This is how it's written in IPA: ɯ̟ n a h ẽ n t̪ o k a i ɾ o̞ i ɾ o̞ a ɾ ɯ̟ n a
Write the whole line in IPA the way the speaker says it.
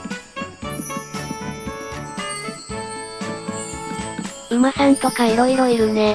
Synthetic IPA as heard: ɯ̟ m a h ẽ n t̪ o k a i ɾ o̞ i ɾ o̞ i ɾ ɯ̟ n e